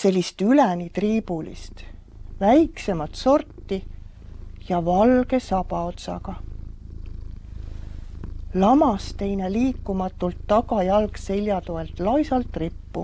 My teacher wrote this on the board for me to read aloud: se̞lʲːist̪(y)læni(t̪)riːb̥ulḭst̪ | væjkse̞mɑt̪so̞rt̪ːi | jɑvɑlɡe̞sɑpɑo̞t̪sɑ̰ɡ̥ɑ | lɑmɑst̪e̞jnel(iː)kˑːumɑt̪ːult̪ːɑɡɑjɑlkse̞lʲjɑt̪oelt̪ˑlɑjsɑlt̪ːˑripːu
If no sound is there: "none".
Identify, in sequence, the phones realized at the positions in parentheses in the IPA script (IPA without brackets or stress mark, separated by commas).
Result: y, t̪, iː